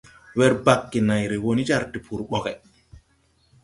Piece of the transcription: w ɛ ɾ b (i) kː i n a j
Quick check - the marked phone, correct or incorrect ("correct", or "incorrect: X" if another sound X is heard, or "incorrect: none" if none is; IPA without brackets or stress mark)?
incorrect: a